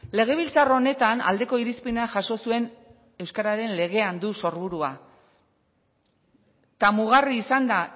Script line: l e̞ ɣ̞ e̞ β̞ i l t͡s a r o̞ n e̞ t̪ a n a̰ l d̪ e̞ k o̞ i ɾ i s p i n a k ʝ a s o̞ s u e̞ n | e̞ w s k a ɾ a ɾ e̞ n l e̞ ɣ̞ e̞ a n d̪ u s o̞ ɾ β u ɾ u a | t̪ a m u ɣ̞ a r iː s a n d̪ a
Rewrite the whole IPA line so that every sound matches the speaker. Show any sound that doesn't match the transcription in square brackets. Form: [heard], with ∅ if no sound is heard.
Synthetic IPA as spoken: l e̞ ɣ̞ e̞ β̞ i l t͡s a r o̞ n e̞ t̪ a n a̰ l d̪ e̞ k o̞ i ɾ i s p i n a [∅] ʝ a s o̞ s u e̞ n | e̞ w s k a ɾ a ɾ e̞ n l e̞ ɣ̞ e̞ a n d̪ u s o̞ ɾ β u ɾ u a | t̪ a m u ɣ̞ a r iː s a n d̪ a

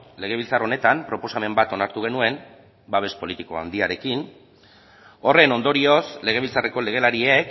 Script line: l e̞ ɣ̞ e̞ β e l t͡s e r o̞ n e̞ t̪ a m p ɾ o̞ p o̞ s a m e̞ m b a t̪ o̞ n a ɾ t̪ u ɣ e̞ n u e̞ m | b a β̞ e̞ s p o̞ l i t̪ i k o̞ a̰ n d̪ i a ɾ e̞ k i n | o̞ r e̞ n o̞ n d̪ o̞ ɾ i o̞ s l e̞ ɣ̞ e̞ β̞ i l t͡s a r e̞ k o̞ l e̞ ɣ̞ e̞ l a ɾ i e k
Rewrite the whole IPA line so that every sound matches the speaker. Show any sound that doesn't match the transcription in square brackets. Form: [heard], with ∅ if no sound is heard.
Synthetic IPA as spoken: l e̞ ɣ̞ e̞ β [i] l t͡s [a] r o̞ n e̞ t̪ a m p ɾ o̞ p o̞ s a m e̞ m b a t̪ o̞ n a ɾ t̪ u ɣ e̞ n u e̞ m | b a β̞ e̞ s p o̞ l i t̪ i k o̞ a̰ n d̪ i a ɾ e̞ k i n | o̞ r e̞ n o̞ n d̪ o̞ ɾ i o̞ s l e̞ ɣ̞ e̞ β̞ i l t͡s a r e̞ k o̞ l e̞ ɣ̞ e̞ l a ɾ i e k

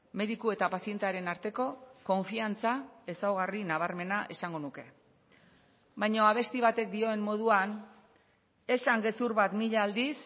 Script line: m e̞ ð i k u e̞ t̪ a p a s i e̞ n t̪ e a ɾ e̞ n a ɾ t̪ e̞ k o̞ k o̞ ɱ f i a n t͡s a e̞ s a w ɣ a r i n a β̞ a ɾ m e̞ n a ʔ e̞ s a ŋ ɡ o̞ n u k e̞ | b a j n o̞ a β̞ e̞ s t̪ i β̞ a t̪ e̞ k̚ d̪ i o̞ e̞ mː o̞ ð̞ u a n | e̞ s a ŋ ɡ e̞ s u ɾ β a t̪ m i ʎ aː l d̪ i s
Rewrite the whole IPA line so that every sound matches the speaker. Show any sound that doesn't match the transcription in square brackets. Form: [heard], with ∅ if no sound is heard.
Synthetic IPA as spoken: m e̞ ð i k u e̞ t̪ a p a s i e̞ n t̪ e a ɾ e̞ n a ɾ t̪ e̞ k o̞ k o̞ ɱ f i a n t͡s a e̞ s a w ɣ a r i n a β̞ a ɾ m e̞ n a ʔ e̞ s a ŋ ɡ o̞ n u k e̞ | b a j [ɲ] o̞ a β̞ e̞ s t̪ i β̞ a t̪ e̞ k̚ d̪ i o̞ e̞ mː o̞ ð̞ u a n | e̞ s a ŋ ɡ e̞ s u ɾ β a t̪ m i ʎ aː l d̪ i s

